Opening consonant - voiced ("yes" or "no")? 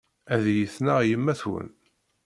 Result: yes